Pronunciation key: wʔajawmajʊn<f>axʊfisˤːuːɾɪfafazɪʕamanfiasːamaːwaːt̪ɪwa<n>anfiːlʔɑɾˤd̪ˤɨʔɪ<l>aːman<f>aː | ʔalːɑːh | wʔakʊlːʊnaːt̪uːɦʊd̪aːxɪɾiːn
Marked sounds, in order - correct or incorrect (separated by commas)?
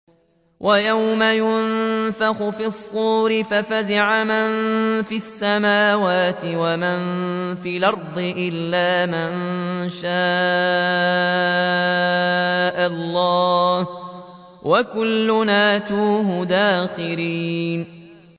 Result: correct, incorrect, incorrect, incorrect